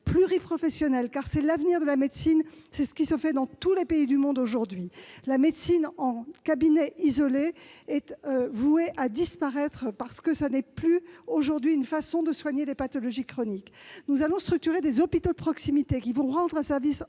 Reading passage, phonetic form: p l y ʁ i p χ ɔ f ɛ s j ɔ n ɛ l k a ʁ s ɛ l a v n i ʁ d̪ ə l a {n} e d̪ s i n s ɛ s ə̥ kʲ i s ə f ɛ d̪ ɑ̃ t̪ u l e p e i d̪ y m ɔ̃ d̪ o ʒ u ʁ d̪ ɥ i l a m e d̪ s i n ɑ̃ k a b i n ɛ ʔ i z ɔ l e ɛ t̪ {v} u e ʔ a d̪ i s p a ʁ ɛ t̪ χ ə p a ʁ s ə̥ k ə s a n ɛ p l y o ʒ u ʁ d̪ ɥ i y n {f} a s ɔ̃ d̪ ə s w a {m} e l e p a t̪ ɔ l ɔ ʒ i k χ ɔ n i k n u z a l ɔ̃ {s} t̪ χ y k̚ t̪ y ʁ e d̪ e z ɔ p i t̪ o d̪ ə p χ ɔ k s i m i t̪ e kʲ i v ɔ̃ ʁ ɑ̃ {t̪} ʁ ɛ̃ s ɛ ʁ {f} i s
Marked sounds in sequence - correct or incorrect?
incorrect: m, correct, correct, incorrect: ɲ, correct, incorrect: d̪, incorrect: v

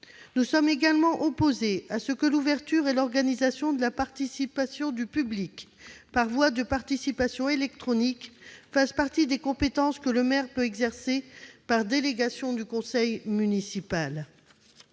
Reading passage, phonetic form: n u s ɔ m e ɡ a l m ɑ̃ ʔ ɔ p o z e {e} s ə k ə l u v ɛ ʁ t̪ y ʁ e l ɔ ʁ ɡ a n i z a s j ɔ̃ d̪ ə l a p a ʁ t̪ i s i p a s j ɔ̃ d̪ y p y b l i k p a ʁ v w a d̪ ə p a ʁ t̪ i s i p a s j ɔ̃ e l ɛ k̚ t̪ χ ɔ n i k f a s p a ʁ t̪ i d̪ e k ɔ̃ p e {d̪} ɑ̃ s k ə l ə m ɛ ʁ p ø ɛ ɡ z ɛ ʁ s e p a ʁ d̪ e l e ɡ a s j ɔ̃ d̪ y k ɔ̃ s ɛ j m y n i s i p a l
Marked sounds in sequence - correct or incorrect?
incorrect: a, incorrect: t̪

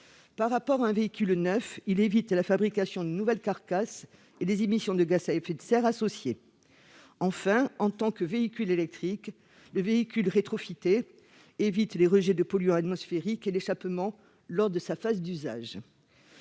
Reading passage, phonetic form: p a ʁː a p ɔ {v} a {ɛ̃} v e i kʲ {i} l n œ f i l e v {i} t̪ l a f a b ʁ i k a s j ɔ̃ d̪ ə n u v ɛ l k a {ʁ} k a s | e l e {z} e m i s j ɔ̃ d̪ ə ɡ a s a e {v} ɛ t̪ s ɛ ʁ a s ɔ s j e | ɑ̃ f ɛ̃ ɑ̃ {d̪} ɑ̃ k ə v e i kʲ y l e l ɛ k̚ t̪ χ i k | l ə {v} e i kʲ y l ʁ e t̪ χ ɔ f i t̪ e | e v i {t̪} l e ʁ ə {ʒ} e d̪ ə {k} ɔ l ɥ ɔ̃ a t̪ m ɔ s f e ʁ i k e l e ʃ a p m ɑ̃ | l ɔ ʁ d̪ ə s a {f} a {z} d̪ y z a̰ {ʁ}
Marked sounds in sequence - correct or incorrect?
incorrect: ʁ, correct, incorrect: y, correct, correct, correct, incorrect: f, incorrect: t̪, correct, correct, correct, incorrect: p, correct, correct, incorrect: ʒ

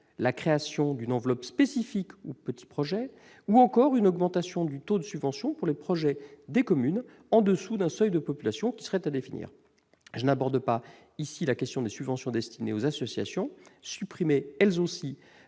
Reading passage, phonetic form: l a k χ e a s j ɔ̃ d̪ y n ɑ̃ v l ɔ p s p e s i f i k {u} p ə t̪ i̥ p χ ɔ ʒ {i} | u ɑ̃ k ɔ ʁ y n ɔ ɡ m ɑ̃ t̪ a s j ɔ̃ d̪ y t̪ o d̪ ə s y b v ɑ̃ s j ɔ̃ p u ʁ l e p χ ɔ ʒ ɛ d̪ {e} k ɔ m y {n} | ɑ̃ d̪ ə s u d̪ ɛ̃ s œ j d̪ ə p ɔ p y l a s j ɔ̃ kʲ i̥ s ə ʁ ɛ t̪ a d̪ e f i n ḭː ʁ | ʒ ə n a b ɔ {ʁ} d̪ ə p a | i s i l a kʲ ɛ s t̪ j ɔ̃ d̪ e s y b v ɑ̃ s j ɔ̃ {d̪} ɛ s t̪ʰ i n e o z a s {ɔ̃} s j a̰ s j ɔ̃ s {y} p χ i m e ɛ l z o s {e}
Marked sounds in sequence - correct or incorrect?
correct, incorrect: ɛ, correct, correct, correct, correct, incorrect: ɔ, correct, incorrect: i

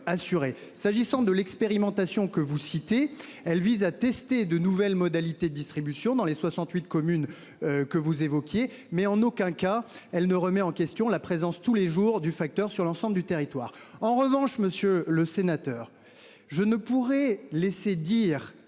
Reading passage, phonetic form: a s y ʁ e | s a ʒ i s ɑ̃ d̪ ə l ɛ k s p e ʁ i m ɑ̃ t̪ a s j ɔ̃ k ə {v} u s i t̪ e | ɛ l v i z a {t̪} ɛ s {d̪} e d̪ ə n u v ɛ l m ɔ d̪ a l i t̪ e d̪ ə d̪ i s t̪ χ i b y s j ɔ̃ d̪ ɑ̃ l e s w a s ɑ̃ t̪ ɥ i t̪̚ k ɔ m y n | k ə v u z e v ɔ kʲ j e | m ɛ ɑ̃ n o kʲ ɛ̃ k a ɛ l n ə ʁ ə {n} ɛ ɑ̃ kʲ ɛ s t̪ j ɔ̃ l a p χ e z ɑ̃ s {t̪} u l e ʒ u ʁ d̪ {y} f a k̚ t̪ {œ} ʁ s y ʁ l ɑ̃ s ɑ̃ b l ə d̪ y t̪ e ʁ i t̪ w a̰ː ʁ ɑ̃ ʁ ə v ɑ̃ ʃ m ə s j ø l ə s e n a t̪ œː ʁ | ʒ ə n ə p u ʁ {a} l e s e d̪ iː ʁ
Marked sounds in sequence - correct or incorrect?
correct, correct, incorrect: t̪, incorrect: m, correct, correct, correct, incorrect: ɛ

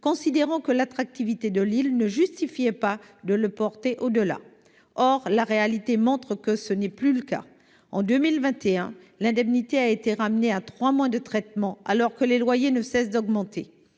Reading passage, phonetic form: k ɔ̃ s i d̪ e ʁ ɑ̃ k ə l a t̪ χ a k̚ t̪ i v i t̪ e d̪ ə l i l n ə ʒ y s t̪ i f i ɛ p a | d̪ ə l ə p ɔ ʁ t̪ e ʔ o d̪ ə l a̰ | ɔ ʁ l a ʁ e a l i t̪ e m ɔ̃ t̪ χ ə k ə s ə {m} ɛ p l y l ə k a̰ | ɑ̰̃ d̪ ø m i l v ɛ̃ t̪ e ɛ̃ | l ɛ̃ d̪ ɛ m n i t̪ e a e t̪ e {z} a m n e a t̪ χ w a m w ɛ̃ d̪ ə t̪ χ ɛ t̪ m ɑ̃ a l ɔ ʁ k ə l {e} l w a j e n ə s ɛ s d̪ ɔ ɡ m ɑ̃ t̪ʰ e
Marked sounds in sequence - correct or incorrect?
incorrect: n, incorrect: ʁ, correct

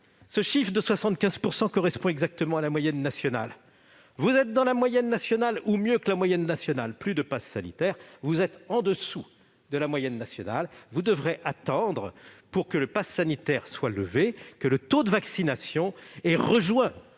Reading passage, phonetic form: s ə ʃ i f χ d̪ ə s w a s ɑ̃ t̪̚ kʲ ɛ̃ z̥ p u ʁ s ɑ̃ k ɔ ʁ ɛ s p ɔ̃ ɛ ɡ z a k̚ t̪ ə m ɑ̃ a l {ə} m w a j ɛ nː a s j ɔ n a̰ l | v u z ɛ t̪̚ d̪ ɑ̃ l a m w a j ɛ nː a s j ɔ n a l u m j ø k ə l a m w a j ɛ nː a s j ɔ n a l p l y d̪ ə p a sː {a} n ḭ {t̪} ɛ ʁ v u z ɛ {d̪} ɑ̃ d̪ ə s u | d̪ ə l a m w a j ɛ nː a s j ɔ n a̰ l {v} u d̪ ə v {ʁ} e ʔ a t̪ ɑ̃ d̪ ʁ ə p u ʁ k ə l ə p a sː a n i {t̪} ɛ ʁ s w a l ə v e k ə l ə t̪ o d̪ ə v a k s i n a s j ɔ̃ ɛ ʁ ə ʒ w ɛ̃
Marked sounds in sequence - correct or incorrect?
incorrect: a, correct, correct, incorrect: t̪, correct, correct, correct

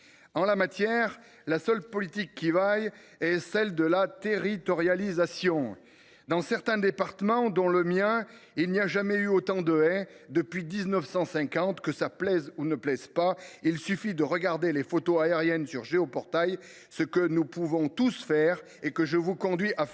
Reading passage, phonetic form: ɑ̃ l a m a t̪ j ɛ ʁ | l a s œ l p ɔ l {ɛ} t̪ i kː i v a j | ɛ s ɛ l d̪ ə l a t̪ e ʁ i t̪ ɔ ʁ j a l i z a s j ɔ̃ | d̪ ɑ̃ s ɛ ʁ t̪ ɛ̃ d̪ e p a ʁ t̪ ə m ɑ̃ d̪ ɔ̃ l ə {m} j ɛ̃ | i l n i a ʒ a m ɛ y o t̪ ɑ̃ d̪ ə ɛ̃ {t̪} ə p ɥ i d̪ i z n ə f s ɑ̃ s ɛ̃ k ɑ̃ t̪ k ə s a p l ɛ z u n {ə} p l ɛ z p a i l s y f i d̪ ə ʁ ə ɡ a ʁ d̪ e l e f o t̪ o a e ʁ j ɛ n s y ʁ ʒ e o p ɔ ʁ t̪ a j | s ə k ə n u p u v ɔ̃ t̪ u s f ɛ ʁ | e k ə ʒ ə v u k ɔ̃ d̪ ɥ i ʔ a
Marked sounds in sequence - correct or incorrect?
incorrect: i, correct, incorrect: d̪, correct

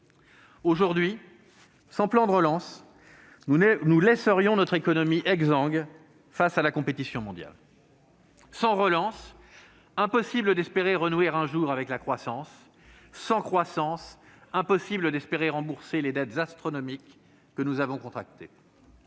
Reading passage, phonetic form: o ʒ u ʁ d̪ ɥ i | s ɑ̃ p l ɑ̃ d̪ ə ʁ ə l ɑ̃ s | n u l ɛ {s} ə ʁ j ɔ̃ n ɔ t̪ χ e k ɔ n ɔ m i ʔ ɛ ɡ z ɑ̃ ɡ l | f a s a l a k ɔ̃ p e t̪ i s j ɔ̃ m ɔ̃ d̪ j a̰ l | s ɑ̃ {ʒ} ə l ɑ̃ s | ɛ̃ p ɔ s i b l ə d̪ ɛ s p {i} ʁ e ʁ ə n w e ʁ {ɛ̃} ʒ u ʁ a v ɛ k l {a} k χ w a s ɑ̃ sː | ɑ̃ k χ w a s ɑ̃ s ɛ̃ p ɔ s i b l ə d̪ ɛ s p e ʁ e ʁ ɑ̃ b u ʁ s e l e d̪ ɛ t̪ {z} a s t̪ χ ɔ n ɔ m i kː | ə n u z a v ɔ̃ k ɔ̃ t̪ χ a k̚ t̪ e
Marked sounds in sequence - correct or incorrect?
correct, incorrect: ʁ, incorrect: e, correct, correct, correct

